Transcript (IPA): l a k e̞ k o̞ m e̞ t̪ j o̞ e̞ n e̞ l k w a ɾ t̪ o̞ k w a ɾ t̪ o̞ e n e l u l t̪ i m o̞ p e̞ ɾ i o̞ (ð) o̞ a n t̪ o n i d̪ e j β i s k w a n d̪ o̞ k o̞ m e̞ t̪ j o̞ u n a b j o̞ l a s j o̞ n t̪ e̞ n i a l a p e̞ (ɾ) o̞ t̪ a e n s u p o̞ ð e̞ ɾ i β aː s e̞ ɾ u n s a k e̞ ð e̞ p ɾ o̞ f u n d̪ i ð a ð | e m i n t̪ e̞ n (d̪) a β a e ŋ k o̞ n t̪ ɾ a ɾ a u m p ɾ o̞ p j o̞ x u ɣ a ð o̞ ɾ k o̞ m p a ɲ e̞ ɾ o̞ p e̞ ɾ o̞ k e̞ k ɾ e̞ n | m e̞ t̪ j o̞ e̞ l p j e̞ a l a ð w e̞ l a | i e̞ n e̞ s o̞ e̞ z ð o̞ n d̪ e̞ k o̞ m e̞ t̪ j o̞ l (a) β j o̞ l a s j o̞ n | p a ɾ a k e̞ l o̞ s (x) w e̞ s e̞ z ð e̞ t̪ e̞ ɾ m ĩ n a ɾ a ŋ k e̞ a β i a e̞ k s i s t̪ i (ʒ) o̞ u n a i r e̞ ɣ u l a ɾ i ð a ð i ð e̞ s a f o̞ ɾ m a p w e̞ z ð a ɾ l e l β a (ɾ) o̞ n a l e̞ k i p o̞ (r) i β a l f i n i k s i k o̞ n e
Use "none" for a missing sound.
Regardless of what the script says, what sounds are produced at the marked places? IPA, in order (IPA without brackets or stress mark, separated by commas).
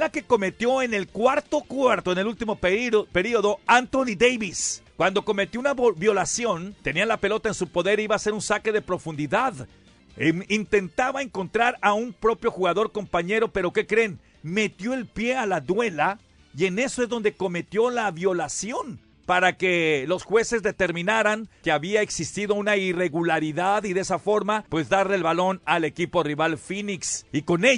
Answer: ð, l, t̪, a, x, ð, l, r